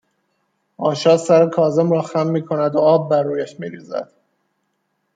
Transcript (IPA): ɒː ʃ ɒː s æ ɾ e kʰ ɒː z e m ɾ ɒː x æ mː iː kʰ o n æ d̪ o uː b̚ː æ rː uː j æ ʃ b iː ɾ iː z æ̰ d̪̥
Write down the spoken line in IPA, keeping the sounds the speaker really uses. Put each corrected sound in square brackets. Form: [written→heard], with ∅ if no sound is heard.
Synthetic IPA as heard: ɒː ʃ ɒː s æ ɾ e kʰ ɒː z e m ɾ ɒː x æ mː iː kʰ o n æ d̪ o [uː→ɒː] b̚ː æ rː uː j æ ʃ [b→m] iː ɾ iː z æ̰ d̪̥